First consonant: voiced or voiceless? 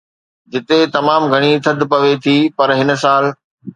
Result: voiced